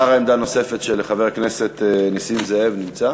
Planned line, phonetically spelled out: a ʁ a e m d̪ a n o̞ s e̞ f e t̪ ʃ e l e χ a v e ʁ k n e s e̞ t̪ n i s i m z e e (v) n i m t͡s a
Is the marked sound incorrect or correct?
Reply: correct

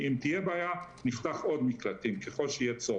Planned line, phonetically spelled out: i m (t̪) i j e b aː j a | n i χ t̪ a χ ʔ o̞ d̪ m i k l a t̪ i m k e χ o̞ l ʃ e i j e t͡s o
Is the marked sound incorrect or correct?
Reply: correct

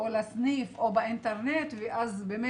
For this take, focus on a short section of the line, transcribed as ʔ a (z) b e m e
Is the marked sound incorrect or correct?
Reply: correct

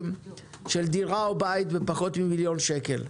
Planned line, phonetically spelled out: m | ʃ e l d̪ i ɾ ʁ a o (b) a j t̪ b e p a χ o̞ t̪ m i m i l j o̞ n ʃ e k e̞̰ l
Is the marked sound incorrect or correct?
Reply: correct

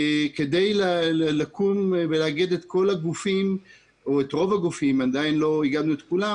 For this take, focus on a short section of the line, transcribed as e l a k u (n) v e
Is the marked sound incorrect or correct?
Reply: incorrect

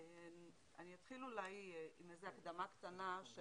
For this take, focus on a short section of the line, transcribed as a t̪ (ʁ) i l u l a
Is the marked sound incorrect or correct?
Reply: incorrect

